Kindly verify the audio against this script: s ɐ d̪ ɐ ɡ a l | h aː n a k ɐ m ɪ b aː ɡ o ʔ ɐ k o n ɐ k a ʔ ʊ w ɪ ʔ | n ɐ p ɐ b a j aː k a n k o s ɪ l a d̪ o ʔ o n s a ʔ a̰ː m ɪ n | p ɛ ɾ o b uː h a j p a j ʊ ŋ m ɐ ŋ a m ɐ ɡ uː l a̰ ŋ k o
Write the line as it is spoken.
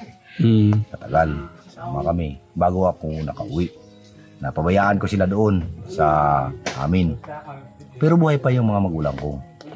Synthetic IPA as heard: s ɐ t̪ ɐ ɡ a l | s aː m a k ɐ m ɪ b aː ɡ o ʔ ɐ k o n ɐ k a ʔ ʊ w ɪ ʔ | n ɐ p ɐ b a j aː ʔ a n k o s ɪ l a d̪ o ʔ o n s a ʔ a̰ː m ɪ n | p ɛ ɾ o b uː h a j p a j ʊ ŋ m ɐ ŋ a m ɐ ɡ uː l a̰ ŋ k o